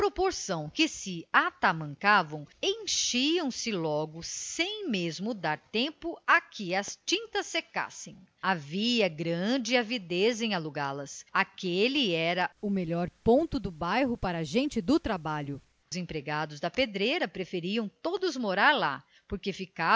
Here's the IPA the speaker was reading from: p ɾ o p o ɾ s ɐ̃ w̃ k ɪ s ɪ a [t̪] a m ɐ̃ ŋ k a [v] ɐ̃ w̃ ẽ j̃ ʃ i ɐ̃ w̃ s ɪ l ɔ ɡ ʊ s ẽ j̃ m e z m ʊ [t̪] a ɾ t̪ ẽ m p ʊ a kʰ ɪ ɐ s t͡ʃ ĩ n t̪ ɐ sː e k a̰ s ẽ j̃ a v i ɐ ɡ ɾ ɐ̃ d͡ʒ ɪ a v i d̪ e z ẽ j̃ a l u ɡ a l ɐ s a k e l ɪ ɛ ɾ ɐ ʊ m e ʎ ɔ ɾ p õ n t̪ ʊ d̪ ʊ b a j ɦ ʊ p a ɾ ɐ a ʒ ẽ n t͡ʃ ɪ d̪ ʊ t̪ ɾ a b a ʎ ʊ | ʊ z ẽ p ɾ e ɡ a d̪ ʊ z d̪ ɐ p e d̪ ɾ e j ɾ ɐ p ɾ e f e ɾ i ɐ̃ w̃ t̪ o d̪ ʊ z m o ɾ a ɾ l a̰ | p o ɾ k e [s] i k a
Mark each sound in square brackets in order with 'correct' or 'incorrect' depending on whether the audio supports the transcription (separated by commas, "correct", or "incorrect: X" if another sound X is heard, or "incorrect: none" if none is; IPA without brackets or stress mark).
correct, correct, incorrect: d̪, incorrect: f